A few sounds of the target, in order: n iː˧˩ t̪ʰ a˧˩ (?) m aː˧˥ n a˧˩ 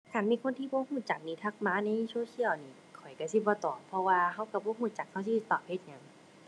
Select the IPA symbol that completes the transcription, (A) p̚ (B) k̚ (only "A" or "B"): B